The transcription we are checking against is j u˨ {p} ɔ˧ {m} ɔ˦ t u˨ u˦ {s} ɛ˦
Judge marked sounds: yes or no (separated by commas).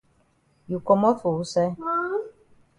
no, yes, yes